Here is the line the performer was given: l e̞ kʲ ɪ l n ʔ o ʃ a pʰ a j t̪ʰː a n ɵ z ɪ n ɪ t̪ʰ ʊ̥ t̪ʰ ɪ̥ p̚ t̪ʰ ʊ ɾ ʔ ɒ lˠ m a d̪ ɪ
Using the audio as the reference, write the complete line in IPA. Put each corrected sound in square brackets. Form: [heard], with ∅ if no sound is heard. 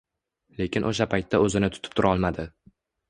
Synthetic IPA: l e̞ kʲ ɪ [∅] n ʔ o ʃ a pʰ a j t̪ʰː a [∅] ɵ z ɪ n ɪ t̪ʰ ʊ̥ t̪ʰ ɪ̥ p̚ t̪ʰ ʊ ɾ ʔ ɒ lˠ m a d̪ ɪ